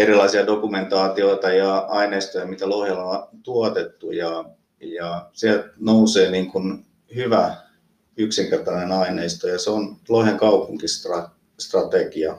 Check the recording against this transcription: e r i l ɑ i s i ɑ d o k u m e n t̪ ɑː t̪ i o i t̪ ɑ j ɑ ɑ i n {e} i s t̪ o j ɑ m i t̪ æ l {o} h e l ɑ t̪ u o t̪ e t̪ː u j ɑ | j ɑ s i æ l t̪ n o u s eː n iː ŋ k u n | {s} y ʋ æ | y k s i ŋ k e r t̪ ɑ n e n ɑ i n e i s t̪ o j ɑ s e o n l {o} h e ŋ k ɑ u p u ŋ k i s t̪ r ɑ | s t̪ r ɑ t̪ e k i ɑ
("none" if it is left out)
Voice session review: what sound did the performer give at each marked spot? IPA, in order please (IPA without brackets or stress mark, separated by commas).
e, o, h, o